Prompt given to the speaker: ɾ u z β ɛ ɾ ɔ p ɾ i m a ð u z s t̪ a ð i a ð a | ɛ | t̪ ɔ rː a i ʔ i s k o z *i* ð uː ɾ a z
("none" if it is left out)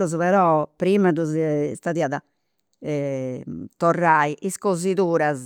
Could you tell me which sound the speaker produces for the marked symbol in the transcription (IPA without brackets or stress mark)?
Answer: i